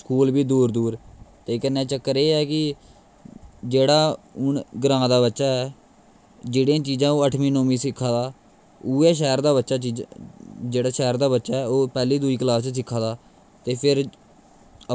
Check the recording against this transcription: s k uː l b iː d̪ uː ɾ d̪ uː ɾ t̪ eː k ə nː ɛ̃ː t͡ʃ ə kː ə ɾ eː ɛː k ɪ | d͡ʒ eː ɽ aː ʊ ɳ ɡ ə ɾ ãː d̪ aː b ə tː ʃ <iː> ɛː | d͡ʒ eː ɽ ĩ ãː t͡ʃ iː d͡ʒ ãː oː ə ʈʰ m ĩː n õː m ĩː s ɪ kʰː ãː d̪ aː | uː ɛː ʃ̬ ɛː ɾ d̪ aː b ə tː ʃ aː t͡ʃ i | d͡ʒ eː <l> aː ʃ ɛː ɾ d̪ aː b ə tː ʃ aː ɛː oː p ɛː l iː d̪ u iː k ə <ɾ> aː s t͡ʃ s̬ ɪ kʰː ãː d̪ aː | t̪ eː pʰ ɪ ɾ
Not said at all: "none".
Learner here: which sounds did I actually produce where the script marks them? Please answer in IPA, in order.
aː, ɽ, l

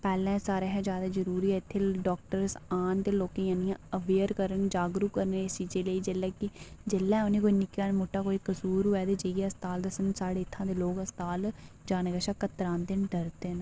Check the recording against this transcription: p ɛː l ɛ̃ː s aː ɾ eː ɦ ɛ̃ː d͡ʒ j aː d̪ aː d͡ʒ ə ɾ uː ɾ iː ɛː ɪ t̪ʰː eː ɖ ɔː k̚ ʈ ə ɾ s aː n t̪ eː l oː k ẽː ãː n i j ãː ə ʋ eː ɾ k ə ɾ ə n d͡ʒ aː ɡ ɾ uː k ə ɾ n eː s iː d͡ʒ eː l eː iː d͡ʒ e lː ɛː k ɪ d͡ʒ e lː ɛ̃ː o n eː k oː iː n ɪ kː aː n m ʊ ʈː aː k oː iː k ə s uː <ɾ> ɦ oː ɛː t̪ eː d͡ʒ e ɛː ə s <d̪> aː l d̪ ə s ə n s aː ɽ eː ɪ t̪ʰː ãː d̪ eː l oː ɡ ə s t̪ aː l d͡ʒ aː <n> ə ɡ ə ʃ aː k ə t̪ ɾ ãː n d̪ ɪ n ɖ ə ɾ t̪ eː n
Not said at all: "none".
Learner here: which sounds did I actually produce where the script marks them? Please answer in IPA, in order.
ɾ, t̪, n

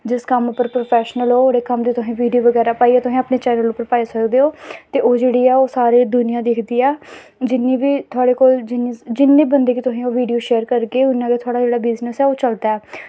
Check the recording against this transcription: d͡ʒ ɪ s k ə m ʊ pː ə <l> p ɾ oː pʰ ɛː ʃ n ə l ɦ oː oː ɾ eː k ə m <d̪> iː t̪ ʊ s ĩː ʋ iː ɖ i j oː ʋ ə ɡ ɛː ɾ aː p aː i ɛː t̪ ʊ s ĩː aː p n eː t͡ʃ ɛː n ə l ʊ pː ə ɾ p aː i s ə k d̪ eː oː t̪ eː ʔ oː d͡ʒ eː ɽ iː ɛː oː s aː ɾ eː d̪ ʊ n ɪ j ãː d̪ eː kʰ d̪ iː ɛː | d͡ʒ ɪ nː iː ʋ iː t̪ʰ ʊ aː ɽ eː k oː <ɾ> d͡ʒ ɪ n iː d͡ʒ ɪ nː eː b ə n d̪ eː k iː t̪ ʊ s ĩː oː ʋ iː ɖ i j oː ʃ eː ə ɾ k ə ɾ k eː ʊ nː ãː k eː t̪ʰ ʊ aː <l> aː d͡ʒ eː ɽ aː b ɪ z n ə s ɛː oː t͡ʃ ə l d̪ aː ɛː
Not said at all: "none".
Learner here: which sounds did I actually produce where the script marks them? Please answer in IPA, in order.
ɾ, d̪, l, ɽ

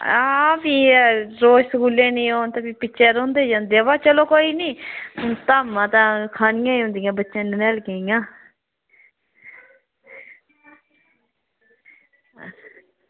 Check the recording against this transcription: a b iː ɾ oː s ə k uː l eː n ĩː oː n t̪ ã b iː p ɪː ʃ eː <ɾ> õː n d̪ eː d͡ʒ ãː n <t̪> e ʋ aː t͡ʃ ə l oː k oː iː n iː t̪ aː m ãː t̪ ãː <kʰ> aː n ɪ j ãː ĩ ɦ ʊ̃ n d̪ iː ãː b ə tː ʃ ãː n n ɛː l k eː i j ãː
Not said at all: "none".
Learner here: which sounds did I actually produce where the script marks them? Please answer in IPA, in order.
ɾ, d̪, kʰ

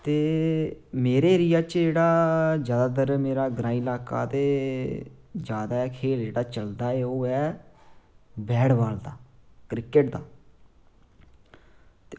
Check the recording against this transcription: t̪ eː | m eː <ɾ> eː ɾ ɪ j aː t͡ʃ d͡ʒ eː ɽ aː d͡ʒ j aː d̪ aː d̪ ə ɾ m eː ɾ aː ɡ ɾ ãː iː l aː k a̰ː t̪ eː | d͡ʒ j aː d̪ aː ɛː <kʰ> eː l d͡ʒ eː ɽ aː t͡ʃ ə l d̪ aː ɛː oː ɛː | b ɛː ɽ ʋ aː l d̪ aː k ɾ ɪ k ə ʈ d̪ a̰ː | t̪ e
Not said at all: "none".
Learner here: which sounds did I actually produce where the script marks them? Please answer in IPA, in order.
ɾ, kʰ

